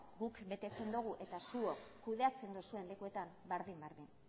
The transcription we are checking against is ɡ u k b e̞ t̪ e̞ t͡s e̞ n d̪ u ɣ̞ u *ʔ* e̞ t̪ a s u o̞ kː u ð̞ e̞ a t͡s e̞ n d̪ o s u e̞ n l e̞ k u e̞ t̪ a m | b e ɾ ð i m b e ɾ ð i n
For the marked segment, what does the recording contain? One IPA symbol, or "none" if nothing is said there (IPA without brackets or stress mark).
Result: ʔ